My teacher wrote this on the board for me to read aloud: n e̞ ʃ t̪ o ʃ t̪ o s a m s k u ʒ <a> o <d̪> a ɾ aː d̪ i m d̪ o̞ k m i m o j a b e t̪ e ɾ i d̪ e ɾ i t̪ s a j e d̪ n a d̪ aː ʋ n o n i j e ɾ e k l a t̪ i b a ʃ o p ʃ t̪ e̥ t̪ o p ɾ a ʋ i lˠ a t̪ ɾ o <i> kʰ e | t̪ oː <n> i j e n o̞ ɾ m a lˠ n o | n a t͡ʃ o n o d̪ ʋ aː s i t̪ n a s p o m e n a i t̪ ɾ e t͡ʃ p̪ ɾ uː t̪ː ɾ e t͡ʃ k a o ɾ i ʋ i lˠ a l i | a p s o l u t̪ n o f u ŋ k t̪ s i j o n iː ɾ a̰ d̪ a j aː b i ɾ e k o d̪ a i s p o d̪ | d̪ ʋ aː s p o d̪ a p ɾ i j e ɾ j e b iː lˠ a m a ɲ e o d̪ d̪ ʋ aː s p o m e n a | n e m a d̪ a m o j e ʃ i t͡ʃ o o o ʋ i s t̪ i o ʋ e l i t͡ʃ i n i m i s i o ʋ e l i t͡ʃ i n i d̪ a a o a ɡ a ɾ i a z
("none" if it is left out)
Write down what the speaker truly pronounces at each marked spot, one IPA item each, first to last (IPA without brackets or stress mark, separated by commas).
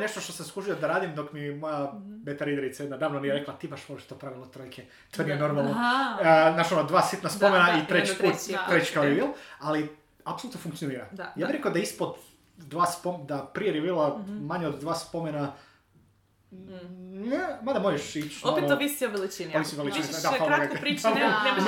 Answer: i, d̪, j, n